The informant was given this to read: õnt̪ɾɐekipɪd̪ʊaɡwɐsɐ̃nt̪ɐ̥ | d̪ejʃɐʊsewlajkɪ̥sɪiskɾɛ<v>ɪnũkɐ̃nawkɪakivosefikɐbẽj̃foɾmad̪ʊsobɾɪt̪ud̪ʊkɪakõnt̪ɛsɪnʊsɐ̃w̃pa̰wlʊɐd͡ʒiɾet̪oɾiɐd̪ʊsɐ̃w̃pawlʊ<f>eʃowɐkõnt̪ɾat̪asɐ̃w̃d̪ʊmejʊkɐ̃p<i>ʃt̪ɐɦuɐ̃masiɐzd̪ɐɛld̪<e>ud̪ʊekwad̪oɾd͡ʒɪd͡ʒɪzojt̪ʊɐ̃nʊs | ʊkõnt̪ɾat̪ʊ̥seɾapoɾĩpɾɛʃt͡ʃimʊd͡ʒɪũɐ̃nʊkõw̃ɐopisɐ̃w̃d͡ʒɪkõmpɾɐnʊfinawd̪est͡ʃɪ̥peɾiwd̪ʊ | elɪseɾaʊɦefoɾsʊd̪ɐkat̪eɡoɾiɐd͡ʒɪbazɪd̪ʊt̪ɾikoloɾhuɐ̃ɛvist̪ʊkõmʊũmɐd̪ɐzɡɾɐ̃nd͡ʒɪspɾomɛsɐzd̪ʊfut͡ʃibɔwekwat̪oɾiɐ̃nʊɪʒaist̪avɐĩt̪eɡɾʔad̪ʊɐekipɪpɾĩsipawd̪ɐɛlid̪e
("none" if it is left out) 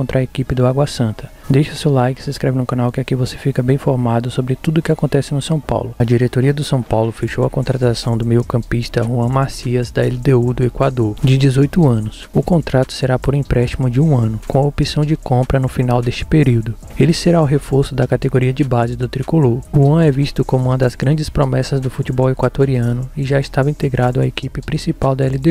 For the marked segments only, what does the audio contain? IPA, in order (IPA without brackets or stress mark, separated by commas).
v, f, i, e